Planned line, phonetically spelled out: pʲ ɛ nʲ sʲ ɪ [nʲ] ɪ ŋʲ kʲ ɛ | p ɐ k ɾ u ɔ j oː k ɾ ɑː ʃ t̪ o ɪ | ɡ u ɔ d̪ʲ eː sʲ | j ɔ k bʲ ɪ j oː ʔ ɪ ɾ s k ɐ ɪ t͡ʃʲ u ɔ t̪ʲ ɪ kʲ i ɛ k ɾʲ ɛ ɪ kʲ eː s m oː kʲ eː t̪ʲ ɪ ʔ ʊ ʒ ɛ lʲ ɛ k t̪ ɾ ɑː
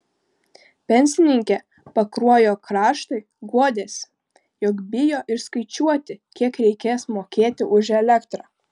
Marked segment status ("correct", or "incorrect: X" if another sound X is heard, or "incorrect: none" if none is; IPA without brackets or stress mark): correct